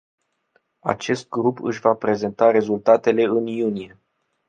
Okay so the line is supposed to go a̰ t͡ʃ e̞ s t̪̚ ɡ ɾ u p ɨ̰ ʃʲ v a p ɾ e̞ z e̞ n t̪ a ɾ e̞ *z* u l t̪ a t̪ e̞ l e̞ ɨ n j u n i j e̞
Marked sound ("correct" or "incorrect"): correct